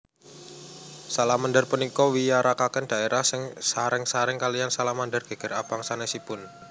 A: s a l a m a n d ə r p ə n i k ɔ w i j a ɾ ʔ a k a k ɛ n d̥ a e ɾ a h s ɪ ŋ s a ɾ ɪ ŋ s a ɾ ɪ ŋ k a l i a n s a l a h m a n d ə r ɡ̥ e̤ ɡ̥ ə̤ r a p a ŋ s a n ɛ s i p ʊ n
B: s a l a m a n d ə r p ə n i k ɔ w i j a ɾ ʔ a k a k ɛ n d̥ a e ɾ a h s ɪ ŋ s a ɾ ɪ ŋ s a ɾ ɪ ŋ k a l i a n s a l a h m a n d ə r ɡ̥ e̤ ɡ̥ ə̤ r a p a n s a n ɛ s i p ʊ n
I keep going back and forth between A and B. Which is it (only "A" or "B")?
A